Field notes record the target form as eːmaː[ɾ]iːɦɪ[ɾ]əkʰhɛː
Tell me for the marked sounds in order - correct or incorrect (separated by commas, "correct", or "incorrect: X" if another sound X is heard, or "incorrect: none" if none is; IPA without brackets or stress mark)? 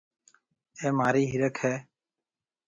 correct, correct